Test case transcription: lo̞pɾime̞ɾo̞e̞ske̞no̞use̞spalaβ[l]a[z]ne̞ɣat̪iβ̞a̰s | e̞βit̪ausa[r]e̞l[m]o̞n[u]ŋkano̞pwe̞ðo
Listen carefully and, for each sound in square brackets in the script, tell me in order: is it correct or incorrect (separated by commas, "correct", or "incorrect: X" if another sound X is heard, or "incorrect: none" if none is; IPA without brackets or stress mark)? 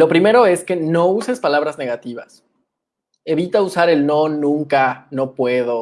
incorrect: ɾ, correct, incorrect: ɾ, incorrect: n, incorrect: ũ